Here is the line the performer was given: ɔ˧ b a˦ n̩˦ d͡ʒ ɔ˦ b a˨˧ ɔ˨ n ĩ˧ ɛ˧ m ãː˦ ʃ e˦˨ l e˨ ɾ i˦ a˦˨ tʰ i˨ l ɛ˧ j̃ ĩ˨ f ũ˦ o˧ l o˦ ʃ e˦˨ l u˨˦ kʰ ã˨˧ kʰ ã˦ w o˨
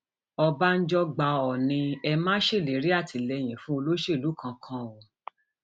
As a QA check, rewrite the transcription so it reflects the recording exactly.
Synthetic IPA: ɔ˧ b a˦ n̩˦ d͡ʒ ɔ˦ ɡ͡b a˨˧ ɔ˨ n ĩ˧ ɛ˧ m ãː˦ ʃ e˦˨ l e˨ ɾ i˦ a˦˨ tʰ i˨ l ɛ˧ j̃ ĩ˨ f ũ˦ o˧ l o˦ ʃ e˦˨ l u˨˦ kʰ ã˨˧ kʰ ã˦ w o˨